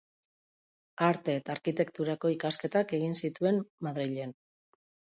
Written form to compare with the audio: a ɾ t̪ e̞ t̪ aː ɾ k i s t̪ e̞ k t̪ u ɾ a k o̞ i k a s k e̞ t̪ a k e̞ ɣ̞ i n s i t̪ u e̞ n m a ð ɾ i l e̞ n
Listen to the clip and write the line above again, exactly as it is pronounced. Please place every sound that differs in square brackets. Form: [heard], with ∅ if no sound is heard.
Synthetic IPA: a ɾ t̪ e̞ t̪ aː ɾ k i [∅] t̪ e̞ k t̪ u ɾ a k o̞ i k a s k e̞ t̪ a k e̞ ɣ̞ i n s i t̪ u e̞ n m a ð ɾ i [ʎ] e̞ n